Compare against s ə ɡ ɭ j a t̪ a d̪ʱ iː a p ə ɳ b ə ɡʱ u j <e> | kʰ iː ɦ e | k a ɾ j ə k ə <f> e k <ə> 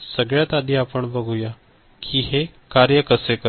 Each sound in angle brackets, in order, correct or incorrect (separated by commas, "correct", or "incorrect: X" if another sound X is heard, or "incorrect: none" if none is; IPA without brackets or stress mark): incorrect: a, incorrect: s, correct